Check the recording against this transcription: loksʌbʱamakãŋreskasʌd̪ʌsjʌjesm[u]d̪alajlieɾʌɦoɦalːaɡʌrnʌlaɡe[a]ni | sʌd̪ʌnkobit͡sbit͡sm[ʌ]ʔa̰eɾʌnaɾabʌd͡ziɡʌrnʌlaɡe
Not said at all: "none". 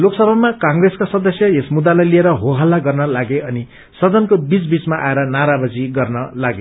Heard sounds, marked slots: u, ʌ, a

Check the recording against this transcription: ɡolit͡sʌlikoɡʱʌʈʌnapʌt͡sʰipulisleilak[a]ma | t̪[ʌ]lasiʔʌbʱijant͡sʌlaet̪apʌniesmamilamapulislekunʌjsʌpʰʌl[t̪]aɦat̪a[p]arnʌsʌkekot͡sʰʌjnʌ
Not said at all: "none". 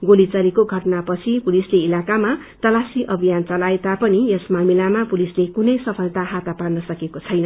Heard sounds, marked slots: a, ʌ, t̪, p

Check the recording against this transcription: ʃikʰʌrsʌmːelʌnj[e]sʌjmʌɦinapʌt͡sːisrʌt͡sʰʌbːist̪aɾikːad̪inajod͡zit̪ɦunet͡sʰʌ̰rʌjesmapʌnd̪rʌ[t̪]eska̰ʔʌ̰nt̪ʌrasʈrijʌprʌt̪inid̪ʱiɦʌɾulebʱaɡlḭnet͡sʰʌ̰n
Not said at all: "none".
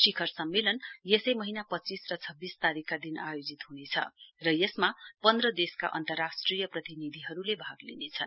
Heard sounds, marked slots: e, d̪

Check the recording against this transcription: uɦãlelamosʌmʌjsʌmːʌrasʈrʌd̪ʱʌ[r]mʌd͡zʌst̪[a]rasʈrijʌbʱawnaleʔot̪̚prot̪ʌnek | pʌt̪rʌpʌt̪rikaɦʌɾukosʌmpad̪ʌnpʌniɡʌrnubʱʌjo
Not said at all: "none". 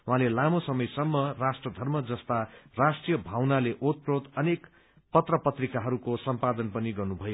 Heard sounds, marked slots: r, a

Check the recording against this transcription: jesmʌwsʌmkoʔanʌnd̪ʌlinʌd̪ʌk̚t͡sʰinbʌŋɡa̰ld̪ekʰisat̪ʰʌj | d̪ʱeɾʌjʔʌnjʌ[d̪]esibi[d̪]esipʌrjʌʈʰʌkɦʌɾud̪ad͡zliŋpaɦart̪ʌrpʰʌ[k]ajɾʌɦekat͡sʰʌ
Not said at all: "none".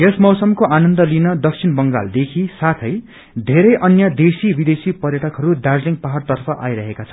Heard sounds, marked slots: d̪, d̪, ʔ

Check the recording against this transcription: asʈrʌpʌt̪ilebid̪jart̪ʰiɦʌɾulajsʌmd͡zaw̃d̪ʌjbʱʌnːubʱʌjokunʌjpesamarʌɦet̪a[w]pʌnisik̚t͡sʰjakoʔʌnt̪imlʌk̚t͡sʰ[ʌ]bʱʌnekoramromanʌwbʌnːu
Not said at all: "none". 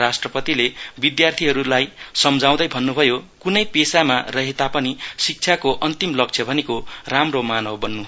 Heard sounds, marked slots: none, ʌ

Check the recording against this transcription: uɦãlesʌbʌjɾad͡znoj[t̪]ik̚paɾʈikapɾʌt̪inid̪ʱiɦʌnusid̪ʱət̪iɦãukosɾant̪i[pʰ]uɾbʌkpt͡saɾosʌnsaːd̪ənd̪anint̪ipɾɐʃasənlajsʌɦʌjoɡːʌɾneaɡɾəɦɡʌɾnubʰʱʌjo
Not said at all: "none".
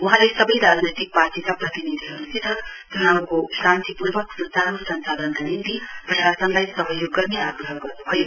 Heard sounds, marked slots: t̪, p

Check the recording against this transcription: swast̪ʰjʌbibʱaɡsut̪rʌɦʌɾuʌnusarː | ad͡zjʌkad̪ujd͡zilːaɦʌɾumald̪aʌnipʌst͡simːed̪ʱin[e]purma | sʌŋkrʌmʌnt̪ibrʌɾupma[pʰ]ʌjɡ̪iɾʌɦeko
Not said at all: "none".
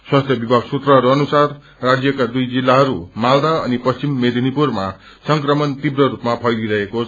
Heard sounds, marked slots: i, pʰ

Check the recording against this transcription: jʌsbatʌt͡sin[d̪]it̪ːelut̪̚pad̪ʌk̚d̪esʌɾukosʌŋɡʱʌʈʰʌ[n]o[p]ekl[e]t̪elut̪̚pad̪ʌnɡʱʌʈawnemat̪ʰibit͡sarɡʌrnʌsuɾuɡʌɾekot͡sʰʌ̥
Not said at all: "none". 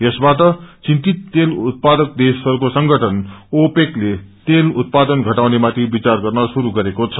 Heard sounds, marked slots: t̪, n, p, e

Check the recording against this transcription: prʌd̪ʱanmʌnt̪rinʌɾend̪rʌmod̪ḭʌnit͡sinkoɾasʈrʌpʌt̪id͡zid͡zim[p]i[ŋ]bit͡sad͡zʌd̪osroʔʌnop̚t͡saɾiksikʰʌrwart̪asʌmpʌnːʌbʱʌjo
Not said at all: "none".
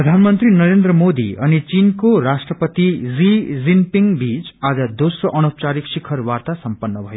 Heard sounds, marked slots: p, ŋ

